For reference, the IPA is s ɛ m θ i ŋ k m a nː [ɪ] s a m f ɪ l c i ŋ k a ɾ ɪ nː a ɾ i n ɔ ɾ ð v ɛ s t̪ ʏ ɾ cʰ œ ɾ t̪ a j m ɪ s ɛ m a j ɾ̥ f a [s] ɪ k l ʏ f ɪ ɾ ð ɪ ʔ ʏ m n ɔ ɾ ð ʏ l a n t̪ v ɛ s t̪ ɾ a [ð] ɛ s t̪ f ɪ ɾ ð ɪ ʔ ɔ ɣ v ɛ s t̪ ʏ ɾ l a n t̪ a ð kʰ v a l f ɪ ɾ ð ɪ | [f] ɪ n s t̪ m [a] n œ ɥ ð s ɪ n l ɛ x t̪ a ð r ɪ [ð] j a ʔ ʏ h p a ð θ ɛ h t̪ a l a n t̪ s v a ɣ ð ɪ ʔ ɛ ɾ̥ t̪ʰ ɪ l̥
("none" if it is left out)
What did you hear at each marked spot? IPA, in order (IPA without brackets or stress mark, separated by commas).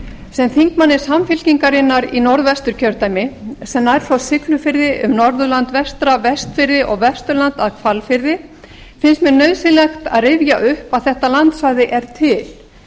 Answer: ɪ, s, v, f, ɛ, v